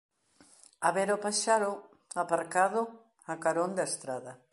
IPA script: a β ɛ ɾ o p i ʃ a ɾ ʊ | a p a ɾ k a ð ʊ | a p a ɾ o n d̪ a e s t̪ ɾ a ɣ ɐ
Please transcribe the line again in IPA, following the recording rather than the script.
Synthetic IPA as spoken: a β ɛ ɾ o p a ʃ a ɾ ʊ | a p a ɾ k a ð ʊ | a k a ɾ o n d̪ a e s t̪ ɾ a ð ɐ